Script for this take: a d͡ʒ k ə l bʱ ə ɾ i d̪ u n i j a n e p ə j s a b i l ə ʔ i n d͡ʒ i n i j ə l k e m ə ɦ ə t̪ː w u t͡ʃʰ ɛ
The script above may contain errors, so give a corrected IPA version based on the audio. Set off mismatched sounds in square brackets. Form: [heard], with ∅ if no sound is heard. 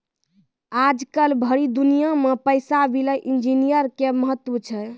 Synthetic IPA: a d͡ʒ k ə l bʱ ə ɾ i d̪ u n i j a [m] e p ə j s a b i l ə ʔ i n d͡ʒ i n i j ə [ɾ] k e m ə ɦ ə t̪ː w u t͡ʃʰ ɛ